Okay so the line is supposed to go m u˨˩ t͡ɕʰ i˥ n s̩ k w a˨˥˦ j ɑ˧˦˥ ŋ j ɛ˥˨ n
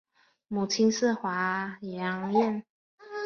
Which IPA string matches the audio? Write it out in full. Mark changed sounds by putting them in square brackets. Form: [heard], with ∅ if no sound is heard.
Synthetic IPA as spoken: m u˨˩ t͡ɕʰ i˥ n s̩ [x] w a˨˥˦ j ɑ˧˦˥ ŋ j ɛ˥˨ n